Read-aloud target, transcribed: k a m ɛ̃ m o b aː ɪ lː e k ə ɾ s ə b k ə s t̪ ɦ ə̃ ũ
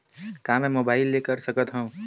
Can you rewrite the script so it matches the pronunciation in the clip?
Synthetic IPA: k a m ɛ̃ m o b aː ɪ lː e k ə ɾ s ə k ə t̪ ɦ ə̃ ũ